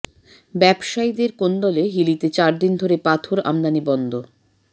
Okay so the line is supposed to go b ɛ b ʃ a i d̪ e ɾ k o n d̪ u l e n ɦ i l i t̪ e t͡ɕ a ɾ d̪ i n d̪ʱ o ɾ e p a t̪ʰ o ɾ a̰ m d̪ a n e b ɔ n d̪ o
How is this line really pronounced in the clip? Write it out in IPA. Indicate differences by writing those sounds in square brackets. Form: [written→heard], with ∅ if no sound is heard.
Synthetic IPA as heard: b ɛ b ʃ a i d̪ e ɾ k o n d̪ [u→ɔ] l e [n→∅] ɦ i l i t̪ e t͡ɕ a ɾ d̪ i n d̪ʱ o ɾ e p a t̪ʰ o ɾ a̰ m d̪ a n [e→i] b ɔ n d̪ o